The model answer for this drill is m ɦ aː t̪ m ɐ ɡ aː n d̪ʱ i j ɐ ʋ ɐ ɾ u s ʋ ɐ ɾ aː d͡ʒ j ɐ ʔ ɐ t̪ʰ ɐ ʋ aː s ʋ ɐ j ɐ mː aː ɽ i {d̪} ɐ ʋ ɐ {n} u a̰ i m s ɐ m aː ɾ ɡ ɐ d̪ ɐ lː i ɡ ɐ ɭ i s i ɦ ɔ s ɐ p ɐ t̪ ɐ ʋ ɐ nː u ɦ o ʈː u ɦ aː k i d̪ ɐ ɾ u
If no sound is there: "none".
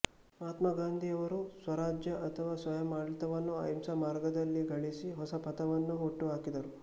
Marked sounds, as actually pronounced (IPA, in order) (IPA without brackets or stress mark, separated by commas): t̪, nː